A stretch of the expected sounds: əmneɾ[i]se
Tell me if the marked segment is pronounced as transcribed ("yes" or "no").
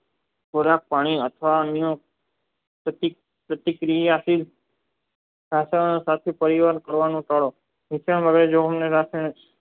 no